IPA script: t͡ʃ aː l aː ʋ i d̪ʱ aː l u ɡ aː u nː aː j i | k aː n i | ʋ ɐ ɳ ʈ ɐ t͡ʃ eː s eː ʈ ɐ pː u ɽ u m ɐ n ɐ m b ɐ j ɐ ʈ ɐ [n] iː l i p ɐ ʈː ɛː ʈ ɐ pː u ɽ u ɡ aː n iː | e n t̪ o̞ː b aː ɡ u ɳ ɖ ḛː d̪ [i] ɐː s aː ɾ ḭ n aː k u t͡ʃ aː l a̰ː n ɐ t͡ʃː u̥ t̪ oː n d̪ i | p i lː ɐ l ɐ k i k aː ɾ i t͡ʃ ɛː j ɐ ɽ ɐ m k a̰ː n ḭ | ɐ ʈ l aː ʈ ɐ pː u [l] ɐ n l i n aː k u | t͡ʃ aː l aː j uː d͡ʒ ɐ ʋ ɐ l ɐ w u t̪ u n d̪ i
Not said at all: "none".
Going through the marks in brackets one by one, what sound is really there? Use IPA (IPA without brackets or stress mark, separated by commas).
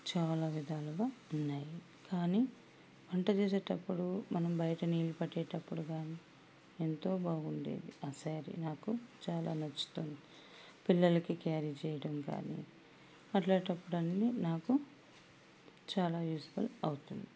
n, i, ɽ